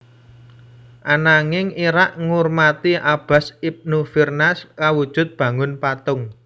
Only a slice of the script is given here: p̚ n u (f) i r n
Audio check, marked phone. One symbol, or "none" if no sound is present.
f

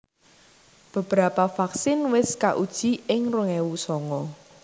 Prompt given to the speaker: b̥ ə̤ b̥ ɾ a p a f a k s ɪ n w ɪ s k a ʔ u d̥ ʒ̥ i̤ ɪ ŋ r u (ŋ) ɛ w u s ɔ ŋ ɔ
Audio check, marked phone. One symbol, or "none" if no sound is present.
ŋ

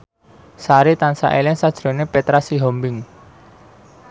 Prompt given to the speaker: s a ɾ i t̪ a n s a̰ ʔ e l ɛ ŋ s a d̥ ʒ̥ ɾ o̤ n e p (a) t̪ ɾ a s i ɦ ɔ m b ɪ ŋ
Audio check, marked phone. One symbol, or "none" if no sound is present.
e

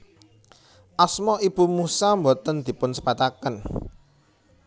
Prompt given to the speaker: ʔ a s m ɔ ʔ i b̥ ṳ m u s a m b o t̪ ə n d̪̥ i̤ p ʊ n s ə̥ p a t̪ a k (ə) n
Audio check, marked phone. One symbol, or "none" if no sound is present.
ə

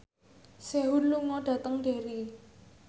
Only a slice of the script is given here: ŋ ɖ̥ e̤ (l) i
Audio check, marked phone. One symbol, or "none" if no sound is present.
ɾ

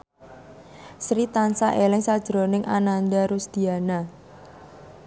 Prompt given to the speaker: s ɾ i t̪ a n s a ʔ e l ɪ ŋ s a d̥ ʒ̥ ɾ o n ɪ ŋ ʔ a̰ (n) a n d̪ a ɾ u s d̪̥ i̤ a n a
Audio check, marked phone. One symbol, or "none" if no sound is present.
n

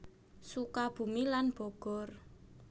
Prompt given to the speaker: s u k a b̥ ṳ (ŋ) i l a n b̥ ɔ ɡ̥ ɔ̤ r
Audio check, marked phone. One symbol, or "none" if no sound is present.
m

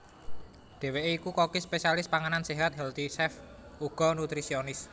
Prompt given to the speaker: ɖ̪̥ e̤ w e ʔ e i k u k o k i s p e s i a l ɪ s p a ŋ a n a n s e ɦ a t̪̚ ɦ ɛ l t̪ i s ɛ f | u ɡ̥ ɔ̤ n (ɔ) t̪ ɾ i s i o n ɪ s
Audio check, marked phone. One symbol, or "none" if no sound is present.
u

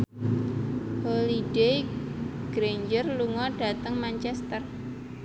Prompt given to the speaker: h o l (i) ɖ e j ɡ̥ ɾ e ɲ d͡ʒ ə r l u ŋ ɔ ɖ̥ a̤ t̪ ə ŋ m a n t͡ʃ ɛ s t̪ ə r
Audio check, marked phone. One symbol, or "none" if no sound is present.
i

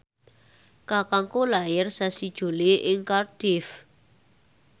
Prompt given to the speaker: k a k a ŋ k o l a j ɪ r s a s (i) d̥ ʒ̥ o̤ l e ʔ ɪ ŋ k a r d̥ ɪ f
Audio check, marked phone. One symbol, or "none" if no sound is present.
i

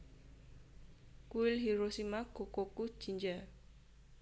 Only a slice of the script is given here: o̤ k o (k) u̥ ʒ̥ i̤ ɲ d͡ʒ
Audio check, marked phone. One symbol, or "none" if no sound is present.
k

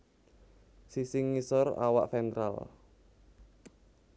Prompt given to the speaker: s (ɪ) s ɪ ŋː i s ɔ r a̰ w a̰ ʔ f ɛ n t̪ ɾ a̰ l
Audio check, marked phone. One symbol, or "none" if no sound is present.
i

